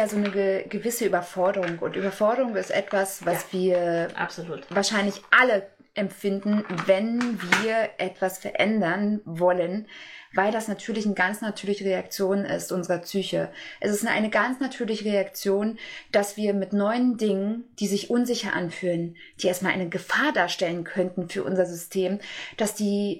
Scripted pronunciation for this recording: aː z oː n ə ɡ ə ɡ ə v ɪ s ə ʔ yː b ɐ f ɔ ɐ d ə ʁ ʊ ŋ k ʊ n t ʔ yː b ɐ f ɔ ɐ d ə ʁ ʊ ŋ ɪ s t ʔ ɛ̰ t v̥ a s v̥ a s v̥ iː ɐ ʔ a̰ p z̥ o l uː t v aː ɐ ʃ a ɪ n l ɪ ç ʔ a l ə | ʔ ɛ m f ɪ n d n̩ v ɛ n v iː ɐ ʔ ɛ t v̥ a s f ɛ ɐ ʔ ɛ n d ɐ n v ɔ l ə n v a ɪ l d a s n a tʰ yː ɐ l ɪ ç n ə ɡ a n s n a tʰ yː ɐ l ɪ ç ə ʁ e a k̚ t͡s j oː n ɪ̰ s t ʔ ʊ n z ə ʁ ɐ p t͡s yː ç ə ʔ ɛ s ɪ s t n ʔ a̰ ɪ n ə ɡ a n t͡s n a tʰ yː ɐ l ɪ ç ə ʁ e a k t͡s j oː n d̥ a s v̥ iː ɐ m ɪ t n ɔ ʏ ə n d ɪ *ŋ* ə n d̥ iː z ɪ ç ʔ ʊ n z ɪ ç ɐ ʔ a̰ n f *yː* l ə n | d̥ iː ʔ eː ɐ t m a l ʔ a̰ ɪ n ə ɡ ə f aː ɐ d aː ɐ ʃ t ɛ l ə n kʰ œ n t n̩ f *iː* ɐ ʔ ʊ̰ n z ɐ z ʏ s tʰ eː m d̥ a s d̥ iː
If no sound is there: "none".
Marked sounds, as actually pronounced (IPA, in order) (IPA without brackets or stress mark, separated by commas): ŋ, yː, yː